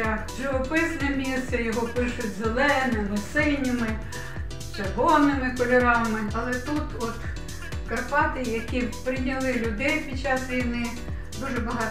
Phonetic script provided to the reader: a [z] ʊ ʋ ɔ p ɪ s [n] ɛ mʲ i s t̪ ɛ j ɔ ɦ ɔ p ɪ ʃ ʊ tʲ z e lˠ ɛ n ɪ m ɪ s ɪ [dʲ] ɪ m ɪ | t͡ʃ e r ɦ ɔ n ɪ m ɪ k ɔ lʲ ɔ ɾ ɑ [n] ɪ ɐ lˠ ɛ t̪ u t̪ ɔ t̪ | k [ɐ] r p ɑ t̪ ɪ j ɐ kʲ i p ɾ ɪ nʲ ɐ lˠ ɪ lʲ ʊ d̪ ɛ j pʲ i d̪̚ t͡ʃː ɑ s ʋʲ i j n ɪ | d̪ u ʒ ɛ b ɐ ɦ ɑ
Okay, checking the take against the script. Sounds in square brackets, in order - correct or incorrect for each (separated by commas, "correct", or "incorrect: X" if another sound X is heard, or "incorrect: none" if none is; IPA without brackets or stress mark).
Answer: incorrect: ʒ, correct, incorrect: nʲ, incorrect: m, correct